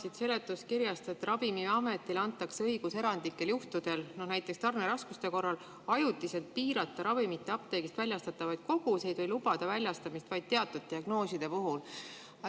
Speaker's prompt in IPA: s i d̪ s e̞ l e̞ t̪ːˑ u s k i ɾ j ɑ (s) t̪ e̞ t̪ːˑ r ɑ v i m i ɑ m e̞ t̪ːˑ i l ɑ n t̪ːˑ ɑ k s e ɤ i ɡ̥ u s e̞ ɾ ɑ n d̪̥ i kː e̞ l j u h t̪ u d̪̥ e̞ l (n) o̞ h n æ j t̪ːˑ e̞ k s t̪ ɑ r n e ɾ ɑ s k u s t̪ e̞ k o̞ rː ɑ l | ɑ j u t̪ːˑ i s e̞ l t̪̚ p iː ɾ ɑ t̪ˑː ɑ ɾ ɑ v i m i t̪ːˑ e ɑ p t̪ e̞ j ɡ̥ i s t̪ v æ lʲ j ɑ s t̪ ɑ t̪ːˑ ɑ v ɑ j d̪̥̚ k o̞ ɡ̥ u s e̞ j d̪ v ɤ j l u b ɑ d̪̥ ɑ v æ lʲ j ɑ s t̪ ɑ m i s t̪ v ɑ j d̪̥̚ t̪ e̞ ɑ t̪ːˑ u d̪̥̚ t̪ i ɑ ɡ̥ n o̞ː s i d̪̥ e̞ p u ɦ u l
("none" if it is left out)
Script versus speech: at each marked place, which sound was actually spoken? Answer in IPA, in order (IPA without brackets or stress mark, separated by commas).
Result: s, n